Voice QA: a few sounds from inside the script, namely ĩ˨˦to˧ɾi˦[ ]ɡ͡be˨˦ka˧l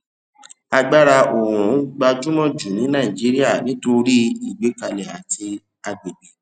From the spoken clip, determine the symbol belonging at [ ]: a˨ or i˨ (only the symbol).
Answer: i˨